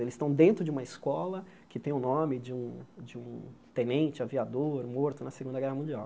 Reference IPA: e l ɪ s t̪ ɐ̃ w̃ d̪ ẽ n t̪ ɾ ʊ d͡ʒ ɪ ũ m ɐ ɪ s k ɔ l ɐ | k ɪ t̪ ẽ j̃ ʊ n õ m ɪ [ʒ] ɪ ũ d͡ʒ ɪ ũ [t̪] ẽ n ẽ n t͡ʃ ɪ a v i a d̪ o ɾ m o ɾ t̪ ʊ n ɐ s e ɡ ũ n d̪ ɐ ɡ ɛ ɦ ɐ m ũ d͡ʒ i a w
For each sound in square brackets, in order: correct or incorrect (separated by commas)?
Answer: incorrect, correct